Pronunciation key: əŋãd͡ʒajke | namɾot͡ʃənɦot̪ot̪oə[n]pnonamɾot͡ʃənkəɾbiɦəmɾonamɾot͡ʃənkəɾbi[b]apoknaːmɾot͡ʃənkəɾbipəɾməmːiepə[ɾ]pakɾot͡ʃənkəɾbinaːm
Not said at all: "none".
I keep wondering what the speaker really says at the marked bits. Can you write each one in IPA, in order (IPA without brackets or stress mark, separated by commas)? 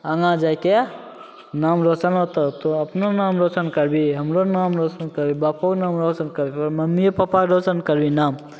none, b, none